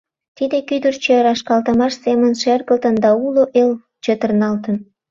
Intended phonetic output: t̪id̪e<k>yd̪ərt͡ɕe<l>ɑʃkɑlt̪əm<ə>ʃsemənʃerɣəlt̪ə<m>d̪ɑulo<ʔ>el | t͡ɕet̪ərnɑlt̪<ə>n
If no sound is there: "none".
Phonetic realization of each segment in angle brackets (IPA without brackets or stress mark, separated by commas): k, ɾ, ɑ, n, ʔ, ə